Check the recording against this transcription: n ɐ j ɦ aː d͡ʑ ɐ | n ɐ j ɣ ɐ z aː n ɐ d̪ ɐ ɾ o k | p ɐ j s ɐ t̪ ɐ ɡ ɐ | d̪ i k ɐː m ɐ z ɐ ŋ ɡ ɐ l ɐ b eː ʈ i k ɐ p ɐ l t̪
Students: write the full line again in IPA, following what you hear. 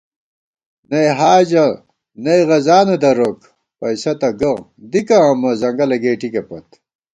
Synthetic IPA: n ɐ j ɦ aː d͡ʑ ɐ | n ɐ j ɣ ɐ z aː n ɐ d̪ ɐ ɾ o k | p ɐ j s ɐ t̪ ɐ ɡ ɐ | d̪ i k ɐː m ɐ z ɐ ŋ ɡ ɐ l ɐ ɡ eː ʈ i k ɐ p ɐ t̪